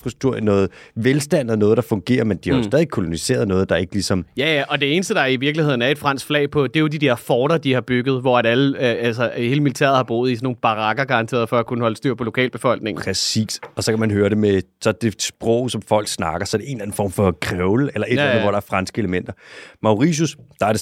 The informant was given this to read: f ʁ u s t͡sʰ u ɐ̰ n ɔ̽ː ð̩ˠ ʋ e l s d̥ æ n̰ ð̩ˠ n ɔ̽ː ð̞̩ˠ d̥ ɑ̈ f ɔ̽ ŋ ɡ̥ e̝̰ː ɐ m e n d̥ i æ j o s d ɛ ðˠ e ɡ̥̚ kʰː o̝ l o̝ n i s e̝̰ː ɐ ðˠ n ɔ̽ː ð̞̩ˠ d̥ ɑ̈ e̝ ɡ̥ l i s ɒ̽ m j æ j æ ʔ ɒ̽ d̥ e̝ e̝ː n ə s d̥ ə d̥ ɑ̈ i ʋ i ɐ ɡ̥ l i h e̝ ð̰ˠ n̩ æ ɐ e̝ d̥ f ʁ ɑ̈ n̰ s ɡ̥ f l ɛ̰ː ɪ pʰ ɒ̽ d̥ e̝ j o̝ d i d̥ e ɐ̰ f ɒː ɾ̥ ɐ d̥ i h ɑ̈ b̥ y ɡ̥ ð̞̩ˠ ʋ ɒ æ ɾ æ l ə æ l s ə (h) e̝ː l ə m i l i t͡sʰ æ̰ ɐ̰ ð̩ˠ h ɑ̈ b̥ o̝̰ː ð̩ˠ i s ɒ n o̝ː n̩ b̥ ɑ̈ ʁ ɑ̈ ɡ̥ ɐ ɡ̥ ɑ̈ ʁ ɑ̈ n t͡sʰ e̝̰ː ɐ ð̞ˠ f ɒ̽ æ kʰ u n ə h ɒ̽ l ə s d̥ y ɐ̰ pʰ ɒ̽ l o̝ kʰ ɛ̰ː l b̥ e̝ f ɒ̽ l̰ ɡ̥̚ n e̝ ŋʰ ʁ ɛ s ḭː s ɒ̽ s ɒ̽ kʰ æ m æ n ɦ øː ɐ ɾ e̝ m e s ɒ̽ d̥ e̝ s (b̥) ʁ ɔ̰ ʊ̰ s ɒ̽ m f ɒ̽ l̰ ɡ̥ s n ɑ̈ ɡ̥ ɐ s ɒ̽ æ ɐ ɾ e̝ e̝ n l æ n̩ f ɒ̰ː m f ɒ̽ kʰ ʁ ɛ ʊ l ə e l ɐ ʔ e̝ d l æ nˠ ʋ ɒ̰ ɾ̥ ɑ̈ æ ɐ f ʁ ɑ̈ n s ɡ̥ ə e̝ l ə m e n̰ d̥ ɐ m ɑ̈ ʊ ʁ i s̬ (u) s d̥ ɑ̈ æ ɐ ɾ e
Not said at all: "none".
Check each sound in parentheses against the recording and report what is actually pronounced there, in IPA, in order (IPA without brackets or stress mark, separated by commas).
h, b̥, u